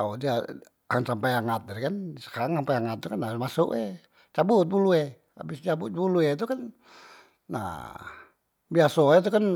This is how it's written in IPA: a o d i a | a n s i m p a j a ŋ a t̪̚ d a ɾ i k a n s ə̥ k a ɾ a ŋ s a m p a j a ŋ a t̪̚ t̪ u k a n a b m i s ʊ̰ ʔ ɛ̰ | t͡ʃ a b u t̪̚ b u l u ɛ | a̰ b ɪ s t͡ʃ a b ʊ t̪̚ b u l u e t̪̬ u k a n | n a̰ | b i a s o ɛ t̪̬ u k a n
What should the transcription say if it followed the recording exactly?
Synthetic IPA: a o d i a | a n s a m p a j a ŋ a t̪̚ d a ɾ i k a n s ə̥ k a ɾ a ŋ s a m p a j a ŋ a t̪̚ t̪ u k a n a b m a s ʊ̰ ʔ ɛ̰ | t͡ʃ a b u t̪̚ b u l u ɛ | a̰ b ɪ s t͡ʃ a b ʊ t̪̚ b u l u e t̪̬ u k a n | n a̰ | b i a s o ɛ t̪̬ u k a n